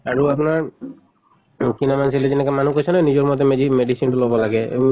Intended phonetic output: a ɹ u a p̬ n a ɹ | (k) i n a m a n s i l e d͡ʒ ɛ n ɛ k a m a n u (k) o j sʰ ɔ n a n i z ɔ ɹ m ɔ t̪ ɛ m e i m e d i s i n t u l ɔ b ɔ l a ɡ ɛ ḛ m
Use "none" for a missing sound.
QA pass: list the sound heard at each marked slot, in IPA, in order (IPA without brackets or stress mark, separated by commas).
k, k